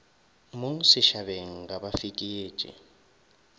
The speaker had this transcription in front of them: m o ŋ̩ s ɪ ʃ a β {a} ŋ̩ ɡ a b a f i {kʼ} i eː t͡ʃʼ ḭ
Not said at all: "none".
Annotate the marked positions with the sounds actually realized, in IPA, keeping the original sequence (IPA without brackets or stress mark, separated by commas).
e, kʼ